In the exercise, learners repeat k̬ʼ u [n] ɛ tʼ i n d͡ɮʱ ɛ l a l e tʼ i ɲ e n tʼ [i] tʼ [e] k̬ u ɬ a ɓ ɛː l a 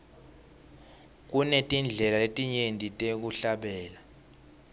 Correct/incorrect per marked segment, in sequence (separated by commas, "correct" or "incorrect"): correct, correct, correct